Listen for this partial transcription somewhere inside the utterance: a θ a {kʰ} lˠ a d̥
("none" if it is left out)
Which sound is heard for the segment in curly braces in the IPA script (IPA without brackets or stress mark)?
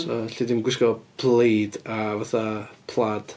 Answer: pʰ